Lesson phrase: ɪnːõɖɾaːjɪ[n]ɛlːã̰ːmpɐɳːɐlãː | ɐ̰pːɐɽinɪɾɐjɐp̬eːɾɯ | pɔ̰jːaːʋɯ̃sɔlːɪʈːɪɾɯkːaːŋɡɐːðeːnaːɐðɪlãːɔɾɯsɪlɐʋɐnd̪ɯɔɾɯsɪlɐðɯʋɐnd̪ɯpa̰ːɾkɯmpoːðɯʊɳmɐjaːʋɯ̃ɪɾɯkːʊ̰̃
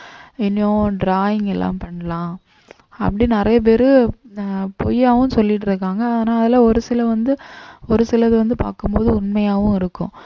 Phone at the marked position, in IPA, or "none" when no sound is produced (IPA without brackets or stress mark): ŋ